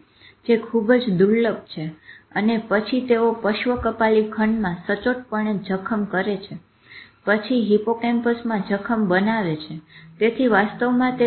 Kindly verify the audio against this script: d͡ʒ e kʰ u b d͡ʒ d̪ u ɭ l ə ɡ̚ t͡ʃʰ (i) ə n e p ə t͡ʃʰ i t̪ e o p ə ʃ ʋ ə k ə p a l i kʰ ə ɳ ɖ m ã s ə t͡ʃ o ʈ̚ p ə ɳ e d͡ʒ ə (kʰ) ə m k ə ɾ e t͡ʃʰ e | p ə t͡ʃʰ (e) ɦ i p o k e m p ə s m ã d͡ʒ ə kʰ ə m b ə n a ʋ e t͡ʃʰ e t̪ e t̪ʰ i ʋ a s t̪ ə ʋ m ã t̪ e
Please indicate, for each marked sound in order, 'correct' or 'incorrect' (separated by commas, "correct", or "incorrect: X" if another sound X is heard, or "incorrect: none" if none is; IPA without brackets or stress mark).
incorrect: e, correct, incorrect: i